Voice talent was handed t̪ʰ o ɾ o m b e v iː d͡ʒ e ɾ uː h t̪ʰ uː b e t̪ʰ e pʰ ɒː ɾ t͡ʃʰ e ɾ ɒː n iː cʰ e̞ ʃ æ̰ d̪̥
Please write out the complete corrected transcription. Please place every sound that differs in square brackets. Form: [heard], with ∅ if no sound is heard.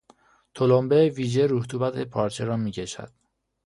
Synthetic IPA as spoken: t̪ʰ o [l] o m b e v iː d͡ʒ e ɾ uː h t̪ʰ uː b [æ] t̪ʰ e pʰ ɒː ɾ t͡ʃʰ e ɾ ɒː [m] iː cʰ e̞ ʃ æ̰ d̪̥